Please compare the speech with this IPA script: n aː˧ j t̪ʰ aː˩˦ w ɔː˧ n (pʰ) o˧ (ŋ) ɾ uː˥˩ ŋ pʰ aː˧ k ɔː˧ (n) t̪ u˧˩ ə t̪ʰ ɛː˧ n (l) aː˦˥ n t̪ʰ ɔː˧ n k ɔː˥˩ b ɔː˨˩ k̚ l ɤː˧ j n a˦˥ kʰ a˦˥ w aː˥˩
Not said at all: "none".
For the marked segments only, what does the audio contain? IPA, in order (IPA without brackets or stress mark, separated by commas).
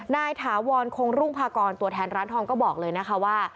kʰ, ŋ, n, ɾ